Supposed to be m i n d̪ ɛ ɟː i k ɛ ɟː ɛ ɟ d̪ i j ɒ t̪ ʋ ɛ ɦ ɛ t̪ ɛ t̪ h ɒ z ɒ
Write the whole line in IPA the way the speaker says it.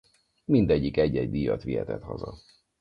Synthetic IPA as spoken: m i n d̪ ɛ ɟː i k ɛ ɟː ɛ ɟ d̪ i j ɒ t̪ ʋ i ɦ ɛ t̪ ɛ t̪ h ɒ z ɒ